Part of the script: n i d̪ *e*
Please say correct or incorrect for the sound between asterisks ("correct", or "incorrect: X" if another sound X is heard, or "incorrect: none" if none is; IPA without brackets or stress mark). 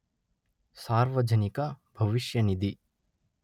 incorrect: i